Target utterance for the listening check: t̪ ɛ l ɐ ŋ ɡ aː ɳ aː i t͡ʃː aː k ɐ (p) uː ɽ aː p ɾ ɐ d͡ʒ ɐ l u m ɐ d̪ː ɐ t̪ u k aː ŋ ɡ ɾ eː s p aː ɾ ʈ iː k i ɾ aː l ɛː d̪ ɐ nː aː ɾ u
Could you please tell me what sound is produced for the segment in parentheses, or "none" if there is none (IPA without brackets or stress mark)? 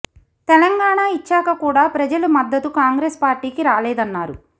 k